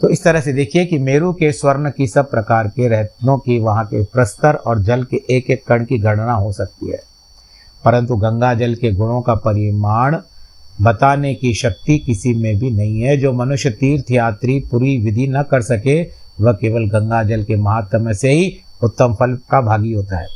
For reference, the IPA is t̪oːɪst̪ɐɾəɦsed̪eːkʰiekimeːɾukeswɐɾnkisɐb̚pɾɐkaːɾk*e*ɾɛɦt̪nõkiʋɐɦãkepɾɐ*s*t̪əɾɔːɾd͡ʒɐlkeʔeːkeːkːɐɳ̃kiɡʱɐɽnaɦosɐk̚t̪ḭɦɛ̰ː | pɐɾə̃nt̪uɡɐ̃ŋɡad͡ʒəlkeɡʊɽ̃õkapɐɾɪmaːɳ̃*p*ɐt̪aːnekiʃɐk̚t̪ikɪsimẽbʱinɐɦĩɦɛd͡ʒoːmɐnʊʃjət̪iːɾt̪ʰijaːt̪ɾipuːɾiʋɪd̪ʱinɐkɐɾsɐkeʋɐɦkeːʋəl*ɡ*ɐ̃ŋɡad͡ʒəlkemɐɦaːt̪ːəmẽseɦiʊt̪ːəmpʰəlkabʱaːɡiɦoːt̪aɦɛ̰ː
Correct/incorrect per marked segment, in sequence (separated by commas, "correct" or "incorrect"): correct, correct, incorrect, correct